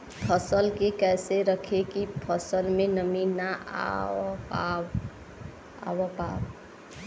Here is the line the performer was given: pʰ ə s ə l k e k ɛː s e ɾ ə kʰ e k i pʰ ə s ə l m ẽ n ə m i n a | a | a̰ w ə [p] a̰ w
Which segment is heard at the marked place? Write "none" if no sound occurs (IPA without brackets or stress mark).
p